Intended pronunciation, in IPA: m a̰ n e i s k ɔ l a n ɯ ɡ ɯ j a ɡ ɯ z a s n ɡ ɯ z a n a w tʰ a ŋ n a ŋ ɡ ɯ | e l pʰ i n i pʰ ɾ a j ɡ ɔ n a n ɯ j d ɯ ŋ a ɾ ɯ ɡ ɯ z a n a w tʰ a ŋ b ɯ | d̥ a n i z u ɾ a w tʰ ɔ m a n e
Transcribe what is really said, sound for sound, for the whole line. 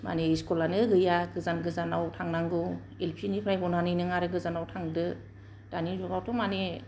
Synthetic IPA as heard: m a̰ n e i s k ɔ l a n ɯ ɡ ɯ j a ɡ ɯ z a n ɡ ɯ z a n a w tʰ a ŋ n a ŋ ɡ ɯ | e l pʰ i n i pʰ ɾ a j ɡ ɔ n a n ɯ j n ɯ ŋ a ɾ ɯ ɡ ɯ z a n a w tʰ a ŋ d ɯ | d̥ a n i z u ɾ a w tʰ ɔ m a n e